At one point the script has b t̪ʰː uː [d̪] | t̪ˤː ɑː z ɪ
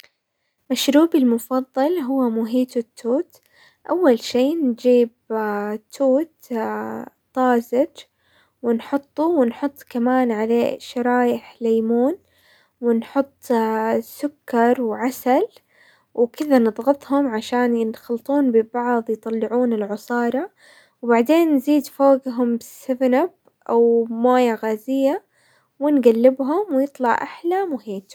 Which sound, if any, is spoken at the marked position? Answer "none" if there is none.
t̪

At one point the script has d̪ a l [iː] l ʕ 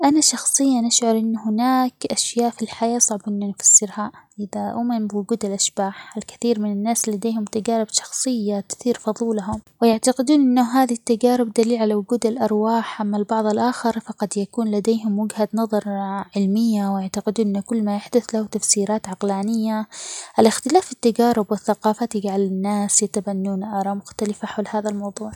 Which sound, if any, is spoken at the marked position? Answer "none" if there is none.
iː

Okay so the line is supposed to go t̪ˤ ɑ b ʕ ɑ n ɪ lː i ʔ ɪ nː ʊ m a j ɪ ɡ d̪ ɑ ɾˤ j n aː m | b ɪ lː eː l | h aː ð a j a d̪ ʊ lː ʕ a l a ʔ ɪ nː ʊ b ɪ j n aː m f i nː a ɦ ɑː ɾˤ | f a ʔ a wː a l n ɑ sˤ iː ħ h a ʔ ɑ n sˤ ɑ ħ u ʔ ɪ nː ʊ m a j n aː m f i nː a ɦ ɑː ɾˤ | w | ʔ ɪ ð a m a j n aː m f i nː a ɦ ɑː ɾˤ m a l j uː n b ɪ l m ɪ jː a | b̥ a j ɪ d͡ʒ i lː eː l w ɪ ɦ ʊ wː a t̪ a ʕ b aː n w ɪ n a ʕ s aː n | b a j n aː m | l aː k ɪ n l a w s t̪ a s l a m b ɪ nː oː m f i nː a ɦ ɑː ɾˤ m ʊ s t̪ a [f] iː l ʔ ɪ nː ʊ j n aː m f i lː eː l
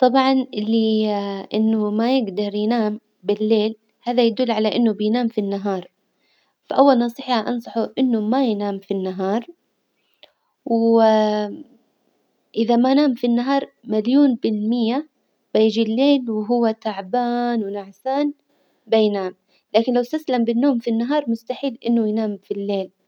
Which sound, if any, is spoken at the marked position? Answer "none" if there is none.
ħ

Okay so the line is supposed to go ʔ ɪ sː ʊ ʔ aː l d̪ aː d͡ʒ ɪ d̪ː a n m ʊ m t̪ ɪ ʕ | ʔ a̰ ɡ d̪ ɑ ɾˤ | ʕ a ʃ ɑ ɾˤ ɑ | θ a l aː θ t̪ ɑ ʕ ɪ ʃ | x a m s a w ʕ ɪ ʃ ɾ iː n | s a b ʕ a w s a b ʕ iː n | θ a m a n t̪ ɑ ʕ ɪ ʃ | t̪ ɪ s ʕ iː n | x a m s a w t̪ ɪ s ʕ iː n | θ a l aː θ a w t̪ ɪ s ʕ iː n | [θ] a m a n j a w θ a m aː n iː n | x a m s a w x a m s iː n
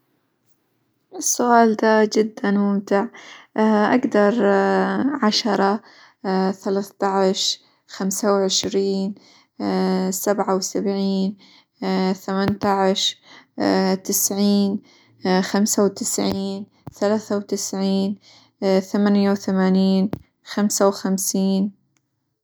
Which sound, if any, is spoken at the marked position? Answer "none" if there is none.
θ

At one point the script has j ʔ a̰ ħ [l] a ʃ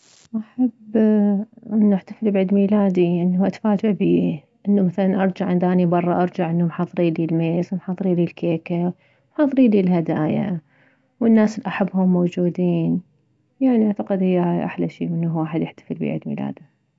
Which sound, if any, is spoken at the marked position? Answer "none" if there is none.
l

